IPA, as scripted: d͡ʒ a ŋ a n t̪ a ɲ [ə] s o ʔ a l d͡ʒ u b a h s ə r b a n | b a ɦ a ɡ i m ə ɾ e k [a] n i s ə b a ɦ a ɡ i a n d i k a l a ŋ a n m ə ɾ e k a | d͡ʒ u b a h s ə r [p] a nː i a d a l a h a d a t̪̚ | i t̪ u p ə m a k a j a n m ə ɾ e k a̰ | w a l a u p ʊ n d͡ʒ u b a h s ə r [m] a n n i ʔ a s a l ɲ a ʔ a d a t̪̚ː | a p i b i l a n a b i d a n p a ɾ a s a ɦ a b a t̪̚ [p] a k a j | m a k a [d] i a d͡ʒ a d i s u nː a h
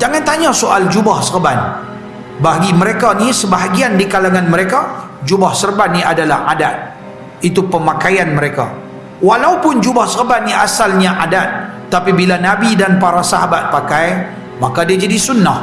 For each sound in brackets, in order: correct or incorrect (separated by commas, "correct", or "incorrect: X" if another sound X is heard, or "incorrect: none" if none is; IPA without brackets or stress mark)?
incorrect: a, correct, incorrect: b, incorrect: b, correct, correct